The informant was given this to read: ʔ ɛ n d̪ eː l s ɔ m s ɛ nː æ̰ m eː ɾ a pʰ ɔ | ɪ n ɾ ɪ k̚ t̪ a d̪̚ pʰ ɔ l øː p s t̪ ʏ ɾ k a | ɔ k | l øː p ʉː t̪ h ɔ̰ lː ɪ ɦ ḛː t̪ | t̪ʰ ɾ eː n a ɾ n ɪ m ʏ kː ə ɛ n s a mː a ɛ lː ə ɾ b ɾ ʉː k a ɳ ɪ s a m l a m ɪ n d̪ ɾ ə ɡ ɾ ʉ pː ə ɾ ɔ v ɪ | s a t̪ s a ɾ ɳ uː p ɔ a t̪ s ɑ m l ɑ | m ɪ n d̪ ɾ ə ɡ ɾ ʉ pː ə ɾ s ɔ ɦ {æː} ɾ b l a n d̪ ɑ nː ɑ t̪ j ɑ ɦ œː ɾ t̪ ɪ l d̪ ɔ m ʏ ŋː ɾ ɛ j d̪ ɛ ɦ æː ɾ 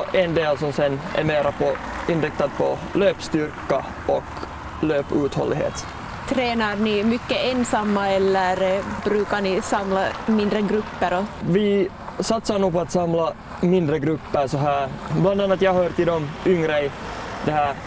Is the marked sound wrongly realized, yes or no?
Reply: no